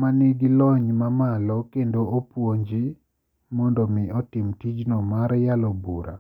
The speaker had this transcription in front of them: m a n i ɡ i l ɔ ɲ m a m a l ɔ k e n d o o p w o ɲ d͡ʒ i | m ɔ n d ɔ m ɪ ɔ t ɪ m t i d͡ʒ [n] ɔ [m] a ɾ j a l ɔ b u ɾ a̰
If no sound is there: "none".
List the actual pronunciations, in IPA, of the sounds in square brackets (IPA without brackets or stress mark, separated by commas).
n, m